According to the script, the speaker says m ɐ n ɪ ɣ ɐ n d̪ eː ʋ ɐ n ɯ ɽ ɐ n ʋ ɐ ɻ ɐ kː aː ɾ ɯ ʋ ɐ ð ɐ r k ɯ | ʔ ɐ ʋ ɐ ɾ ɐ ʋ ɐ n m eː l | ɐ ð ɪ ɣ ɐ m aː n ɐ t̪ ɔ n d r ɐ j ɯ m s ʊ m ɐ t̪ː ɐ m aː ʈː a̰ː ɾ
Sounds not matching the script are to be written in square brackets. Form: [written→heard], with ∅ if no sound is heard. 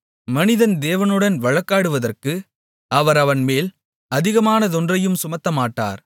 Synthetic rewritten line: m ɐ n ɪ [ɣ→ð] ɐ n d̪ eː ʋ ɐ n ɯ ɽ ɐ n ʋ ɐ ɻ ɐ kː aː [ɾ→ɽ] ɯ ʋ ɐ ð ɐ r k ɯ | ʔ ɐ ʋ ɐ ɾ ɐ ʋ ɐ n m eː l | ɐ ð ɪ ɣ ɐ m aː n ɐ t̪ ɔ n d r ɐ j ɯ m s ʊ m ɐ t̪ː ɐ m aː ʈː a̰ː ɾ